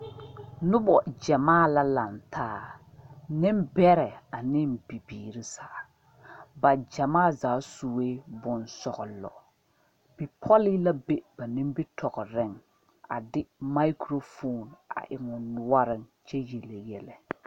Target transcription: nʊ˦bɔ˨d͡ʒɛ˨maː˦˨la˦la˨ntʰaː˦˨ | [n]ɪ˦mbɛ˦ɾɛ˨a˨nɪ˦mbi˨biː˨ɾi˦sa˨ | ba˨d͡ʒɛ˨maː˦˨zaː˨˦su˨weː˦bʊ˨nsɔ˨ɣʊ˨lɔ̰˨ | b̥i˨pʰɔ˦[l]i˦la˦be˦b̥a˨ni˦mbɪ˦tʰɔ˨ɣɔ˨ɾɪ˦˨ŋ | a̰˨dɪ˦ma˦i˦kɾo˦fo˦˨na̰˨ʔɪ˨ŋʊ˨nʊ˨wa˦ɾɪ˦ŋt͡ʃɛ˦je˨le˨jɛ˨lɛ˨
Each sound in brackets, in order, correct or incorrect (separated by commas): correct, correct